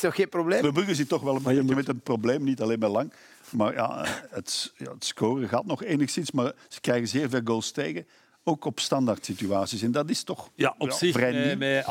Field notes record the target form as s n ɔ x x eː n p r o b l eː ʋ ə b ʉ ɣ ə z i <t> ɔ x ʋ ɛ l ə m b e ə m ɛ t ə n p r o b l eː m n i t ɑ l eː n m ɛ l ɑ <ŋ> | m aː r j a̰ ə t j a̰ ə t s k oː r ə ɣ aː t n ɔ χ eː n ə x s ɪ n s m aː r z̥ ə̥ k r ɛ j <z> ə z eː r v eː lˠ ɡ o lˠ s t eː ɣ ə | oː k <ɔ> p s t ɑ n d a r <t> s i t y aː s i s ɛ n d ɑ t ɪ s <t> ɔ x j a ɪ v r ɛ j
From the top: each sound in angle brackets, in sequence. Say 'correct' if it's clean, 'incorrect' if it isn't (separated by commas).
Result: correct, correct, incorrect, correct, correct, correct